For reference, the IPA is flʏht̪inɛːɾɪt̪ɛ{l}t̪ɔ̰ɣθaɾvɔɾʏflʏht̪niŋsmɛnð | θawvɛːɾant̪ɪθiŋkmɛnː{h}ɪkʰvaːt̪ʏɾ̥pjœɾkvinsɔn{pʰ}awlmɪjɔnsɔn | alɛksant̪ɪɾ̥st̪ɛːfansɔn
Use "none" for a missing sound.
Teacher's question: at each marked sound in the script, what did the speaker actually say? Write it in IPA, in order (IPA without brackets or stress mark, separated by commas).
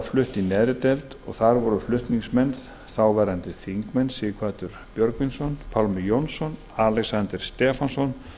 l, s, pʰ